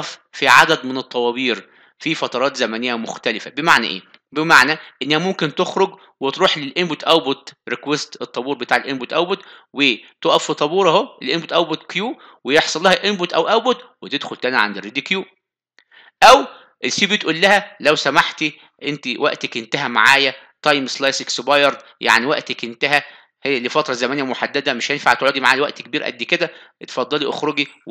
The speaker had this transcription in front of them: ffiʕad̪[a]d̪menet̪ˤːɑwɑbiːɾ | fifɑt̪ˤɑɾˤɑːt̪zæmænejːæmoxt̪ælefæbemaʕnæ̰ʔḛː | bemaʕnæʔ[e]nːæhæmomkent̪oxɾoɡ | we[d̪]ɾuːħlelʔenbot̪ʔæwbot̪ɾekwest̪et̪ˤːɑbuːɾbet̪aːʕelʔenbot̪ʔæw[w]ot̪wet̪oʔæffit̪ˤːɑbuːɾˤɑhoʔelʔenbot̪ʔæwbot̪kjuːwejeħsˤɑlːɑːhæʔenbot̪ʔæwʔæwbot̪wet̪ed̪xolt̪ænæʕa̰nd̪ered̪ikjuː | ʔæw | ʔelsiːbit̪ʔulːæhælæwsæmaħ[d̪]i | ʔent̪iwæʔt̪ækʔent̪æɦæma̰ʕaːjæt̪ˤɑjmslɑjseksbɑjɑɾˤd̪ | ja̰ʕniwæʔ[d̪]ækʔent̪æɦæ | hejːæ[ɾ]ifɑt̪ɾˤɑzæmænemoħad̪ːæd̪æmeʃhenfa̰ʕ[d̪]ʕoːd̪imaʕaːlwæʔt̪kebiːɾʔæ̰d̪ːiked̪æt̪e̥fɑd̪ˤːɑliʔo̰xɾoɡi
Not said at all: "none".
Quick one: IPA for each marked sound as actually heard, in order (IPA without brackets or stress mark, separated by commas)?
æ, e, t̪, b, t̪, t̪, l, t̪